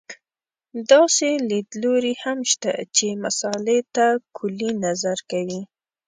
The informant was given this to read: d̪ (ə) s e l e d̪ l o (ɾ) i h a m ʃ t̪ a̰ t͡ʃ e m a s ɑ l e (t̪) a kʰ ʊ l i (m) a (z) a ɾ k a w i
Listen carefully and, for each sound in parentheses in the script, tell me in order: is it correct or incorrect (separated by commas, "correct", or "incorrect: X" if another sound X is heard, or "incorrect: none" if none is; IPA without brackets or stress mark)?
incorrect: ɑ, correct, correct, incorrect: n, correct